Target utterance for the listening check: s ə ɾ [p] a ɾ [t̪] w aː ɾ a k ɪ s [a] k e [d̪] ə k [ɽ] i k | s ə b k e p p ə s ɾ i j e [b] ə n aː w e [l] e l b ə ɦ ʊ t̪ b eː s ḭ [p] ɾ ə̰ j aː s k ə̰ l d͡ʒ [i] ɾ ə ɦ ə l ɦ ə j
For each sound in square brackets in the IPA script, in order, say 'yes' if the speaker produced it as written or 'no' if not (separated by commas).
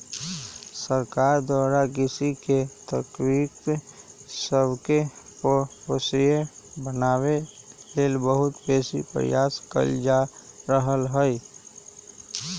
no, no, no, no, no, yes, yes, yes, no